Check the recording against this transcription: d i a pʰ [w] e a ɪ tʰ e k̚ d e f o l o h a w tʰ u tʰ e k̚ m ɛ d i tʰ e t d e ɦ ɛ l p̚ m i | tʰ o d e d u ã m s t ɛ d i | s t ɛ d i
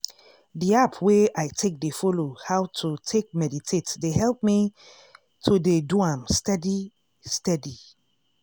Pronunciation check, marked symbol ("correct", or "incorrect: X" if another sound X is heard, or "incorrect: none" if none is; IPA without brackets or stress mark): correct